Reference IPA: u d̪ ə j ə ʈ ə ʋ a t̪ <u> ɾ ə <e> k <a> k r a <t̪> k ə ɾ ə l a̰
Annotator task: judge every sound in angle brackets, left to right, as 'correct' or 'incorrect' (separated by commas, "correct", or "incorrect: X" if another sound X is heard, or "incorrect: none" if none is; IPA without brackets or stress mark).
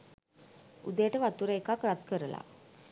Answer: correct, correct, correct, correct